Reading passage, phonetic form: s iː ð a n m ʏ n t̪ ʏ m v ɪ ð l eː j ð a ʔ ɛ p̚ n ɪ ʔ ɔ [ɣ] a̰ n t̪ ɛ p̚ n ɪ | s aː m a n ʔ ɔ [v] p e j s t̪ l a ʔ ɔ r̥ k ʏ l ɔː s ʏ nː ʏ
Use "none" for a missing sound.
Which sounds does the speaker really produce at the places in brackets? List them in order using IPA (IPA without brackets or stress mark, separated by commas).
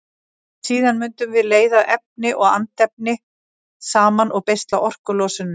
ɣ, ɣ